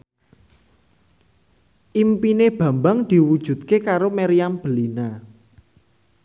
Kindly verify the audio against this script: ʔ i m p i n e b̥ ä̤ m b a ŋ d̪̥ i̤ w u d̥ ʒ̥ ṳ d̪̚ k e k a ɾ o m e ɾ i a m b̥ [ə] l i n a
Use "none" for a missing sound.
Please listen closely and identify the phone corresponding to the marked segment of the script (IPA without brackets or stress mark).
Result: ə